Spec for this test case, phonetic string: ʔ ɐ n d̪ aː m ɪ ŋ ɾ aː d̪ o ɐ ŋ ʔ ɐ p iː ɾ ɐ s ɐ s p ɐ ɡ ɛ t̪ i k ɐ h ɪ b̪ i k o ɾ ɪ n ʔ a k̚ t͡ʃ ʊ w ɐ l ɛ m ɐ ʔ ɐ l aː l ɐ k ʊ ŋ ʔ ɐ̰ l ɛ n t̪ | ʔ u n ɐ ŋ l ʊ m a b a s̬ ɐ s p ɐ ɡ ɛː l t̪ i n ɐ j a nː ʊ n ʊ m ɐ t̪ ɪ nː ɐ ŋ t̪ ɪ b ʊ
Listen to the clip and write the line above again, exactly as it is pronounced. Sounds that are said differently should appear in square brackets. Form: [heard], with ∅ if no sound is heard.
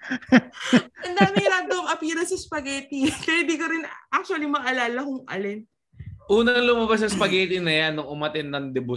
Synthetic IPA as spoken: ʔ ɐ n d̪ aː m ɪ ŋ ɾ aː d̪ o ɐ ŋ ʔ ɐ p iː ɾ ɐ s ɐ s p ɐ ɡ ɛ t̪ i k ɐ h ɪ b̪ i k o ɾ ɪ n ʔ a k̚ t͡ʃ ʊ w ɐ l [i] m ɐ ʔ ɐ l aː l ɐ k ʊ ŋ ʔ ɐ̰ l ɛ n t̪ | ʔ [uː] n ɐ ŋ l ʊ m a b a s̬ ɐ s p ɐ ɡ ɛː [∅] t̪ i n ɐ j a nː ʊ [ŋ] ʊ m ɐ t̪ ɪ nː ɐ ŋ [d̪] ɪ b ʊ